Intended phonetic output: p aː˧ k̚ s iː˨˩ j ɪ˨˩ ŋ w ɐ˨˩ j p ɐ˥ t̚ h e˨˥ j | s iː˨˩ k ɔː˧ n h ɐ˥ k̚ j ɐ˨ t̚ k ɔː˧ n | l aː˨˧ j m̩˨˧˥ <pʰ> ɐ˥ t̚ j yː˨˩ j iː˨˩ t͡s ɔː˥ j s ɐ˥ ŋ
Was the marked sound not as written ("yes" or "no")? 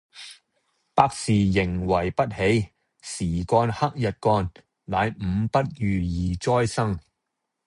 yes